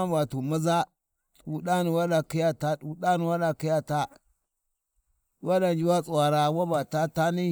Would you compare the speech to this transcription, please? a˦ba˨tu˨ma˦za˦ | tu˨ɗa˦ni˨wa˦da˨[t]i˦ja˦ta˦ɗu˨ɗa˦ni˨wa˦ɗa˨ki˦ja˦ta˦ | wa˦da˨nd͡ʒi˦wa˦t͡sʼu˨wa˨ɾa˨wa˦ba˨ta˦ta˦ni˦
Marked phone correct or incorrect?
incorrect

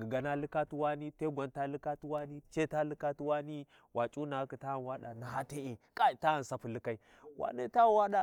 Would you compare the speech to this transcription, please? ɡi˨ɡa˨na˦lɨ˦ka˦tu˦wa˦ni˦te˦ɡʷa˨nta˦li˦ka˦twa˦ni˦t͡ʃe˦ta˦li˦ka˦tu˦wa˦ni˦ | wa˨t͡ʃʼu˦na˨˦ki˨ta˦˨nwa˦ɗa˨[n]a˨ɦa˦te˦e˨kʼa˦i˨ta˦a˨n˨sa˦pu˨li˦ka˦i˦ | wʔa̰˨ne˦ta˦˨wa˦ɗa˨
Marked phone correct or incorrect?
correct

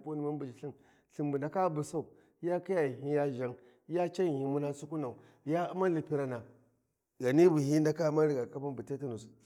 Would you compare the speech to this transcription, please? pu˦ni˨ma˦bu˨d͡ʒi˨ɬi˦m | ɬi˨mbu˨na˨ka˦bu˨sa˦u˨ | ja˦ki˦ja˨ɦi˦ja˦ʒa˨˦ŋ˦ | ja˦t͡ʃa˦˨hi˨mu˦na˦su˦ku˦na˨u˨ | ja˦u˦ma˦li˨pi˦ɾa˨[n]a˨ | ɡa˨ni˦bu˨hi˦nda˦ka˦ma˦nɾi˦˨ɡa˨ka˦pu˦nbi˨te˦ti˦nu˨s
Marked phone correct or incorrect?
correct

